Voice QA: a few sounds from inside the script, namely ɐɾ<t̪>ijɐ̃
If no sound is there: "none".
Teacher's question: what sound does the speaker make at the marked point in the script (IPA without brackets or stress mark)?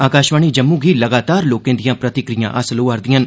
d̪